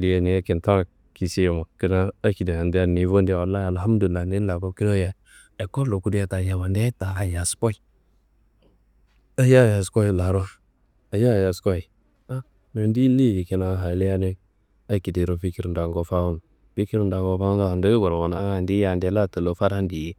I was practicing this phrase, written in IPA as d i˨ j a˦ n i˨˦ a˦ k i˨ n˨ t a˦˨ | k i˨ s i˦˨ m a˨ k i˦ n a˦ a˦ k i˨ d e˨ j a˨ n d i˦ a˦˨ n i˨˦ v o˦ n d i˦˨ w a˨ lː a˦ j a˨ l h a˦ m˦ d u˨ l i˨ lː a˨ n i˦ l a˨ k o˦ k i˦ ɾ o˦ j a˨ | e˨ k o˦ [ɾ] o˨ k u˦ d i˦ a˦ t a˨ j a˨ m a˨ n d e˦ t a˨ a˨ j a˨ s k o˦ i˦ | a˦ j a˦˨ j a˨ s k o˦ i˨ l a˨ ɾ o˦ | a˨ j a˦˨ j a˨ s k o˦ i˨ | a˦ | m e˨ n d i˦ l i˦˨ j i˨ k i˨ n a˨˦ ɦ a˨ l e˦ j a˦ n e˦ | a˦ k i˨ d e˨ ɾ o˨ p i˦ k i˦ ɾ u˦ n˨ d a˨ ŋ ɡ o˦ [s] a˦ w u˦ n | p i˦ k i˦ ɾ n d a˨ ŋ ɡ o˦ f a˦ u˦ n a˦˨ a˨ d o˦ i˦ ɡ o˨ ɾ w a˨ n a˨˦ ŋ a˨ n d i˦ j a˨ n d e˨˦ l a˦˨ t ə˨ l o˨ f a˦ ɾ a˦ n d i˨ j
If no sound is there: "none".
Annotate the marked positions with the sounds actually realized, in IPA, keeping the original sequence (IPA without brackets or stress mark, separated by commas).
l, f